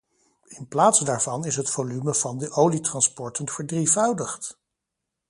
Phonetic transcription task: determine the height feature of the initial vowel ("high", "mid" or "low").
high